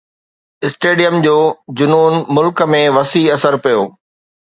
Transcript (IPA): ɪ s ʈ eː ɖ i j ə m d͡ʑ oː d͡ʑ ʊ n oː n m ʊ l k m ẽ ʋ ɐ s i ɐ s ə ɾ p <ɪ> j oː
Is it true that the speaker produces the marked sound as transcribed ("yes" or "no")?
no